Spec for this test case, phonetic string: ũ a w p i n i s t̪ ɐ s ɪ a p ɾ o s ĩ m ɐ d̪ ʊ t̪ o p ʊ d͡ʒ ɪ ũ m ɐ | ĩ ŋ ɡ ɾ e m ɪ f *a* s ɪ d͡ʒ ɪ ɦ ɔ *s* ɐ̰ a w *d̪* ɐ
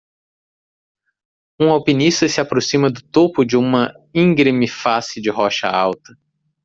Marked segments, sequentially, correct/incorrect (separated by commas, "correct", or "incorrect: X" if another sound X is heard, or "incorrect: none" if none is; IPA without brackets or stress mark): correct, incorrect: ʃ, incorrect: t̪